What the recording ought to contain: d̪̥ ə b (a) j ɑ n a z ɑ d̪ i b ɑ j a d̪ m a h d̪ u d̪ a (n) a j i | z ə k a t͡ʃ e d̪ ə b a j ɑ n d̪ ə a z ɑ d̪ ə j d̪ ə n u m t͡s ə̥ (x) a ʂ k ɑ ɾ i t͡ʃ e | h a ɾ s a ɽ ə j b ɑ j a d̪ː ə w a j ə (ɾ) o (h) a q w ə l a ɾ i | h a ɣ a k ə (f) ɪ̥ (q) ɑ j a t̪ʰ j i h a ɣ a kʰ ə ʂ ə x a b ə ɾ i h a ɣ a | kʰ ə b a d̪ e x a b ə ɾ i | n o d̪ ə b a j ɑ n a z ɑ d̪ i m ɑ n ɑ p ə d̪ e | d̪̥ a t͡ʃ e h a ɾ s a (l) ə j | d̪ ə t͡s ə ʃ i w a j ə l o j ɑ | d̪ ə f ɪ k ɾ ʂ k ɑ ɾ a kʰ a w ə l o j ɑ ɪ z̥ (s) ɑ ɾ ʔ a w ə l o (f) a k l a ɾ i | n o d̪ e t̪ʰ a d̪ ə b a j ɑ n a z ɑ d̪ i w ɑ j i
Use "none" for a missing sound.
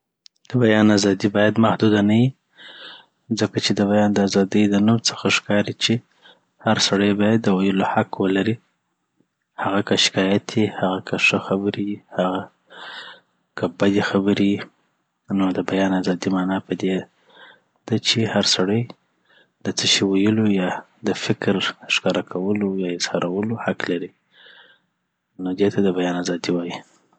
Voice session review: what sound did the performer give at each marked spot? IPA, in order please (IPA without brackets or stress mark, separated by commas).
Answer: a, n, x, l, h, ʃ, k, ɽ, h, h